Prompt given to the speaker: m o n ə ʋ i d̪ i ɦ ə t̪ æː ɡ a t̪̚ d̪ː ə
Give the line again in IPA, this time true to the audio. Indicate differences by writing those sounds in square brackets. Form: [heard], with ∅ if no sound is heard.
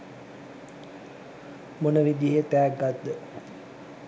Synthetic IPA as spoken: m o n ə ʋ i d̪ i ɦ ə t̪ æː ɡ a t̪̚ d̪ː ə